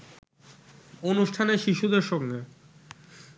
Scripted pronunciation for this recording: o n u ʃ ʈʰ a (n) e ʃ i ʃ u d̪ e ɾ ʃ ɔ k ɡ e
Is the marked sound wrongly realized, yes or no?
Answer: no